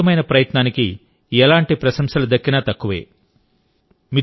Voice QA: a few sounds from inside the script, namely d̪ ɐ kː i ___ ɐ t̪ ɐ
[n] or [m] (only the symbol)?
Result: n